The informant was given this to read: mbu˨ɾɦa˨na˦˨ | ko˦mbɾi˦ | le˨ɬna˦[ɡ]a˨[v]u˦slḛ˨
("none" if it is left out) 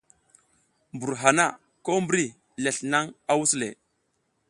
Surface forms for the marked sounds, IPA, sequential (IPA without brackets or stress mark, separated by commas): ŋ, w